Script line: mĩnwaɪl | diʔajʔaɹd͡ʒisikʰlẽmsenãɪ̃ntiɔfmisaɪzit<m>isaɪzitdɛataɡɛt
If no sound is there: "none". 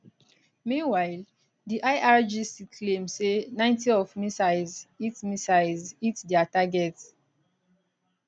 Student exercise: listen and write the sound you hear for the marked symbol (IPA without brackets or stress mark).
m